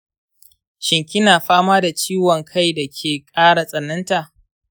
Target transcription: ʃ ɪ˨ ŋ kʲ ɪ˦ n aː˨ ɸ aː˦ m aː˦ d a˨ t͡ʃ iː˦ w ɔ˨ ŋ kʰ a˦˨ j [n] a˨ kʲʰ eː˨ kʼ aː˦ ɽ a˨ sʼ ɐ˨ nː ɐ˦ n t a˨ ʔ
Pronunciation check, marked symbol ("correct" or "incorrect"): incorrect